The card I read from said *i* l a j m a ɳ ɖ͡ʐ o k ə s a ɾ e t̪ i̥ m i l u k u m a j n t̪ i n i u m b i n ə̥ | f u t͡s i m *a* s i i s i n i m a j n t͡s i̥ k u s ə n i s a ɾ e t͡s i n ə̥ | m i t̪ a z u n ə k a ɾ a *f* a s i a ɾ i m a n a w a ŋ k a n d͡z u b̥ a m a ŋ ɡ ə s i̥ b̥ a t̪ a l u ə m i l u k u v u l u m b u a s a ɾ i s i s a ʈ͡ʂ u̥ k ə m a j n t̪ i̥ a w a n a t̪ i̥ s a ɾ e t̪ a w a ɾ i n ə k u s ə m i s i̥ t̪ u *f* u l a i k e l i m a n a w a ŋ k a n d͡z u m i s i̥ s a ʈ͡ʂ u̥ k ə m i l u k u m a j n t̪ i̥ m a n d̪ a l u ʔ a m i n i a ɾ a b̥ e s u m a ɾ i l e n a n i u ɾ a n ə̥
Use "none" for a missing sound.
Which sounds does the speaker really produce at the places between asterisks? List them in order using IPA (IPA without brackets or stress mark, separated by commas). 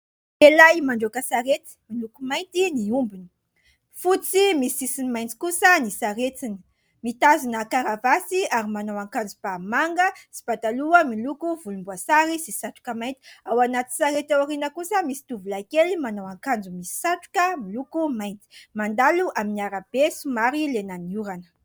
e, i, v, v